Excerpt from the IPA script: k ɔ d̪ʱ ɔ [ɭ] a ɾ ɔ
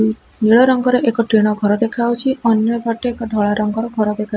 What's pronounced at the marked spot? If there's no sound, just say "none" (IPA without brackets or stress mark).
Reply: ɭ